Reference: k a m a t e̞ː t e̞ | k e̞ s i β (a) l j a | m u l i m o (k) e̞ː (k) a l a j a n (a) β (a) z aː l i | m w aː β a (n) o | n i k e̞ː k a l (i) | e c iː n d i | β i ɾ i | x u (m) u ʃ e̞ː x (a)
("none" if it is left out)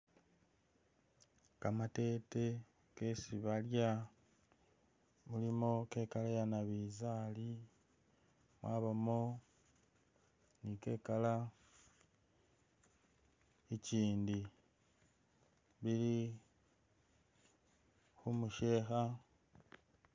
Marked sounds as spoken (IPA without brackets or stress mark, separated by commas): a, k, k, a, i, m, a, m, a